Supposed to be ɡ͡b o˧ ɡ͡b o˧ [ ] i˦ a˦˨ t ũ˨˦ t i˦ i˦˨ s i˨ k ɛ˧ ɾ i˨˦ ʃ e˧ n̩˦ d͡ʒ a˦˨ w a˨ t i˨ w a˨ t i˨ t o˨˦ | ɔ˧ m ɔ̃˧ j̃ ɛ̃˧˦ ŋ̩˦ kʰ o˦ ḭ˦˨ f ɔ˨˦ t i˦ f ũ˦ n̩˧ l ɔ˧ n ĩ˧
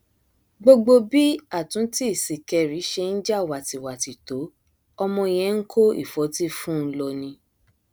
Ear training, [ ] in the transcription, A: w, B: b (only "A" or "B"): B